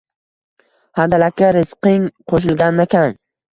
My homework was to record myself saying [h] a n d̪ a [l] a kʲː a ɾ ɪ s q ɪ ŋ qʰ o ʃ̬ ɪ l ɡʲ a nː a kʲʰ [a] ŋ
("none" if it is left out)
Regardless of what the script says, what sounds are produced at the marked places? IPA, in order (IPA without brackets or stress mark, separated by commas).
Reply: h, l, a